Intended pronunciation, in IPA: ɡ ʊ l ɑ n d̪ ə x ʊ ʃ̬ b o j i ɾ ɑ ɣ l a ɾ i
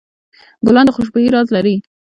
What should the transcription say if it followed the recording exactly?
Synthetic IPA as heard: ɡ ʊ l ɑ n d̪ ə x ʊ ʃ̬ b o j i ɾ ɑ z l a ɾ i